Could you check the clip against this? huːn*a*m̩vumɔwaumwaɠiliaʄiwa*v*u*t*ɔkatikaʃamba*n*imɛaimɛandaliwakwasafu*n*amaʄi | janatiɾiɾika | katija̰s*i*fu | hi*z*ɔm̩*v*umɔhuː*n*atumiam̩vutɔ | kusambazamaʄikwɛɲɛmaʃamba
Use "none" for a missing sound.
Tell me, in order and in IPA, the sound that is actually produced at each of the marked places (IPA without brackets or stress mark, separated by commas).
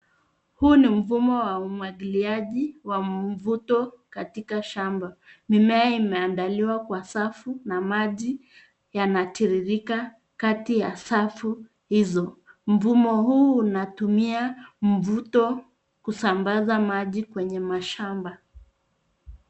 i, v, t, m, n, a, z, v, n